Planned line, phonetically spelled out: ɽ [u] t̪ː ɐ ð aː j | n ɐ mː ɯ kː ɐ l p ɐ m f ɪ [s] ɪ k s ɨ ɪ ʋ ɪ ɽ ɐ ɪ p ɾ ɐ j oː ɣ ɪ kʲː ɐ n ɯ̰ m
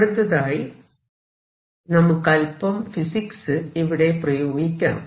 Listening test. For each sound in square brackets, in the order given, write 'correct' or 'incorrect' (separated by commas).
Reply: incorrect, correct